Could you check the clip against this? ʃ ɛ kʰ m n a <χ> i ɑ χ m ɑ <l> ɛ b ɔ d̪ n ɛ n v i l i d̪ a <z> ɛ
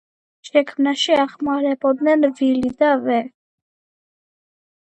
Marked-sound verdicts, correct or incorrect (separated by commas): incorrect, incorrect, incorrect